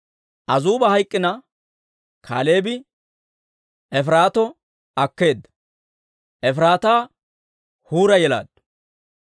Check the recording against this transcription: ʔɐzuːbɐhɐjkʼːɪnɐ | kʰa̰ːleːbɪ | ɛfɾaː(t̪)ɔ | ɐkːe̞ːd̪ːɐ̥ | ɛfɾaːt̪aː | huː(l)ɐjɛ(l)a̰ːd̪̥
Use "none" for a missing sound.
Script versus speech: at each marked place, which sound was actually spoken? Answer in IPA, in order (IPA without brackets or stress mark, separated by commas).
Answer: t̪, ɾ, l